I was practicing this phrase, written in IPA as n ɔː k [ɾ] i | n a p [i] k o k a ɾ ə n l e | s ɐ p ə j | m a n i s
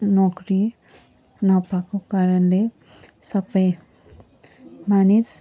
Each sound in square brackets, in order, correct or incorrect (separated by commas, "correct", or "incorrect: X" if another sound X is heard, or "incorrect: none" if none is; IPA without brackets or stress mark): correct, incorrect: a